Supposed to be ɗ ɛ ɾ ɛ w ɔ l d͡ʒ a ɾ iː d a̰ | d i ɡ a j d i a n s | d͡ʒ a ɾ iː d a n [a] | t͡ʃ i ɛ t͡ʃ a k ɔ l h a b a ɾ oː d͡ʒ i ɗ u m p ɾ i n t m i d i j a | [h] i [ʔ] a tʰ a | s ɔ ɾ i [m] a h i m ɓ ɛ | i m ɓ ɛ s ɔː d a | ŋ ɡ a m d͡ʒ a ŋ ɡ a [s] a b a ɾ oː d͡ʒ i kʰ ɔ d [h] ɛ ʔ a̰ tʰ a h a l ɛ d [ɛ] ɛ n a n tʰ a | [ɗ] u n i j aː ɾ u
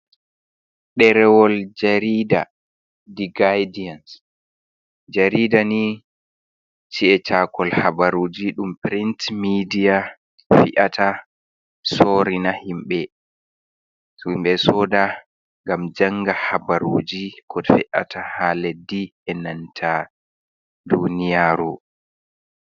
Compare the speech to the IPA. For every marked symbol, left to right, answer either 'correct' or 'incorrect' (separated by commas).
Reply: incorrect, incorrect, correct, incorrect, incorrect, incorrect, incorrect, incorrect